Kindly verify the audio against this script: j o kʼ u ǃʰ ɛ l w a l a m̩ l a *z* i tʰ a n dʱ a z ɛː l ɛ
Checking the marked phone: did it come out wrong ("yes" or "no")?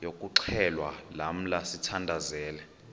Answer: yes